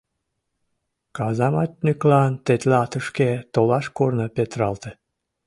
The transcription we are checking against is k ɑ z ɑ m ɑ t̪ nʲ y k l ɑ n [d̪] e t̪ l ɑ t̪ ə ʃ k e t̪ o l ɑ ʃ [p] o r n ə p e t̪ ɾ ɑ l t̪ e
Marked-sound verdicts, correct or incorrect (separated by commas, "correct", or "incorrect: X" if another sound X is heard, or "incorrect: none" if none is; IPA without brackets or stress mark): incorrect: t̪, incorrect: k